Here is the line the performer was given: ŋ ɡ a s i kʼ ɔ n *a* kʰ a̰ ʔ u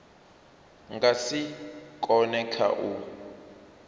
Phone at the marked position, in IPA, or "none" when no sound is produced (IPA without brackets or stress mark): ɛ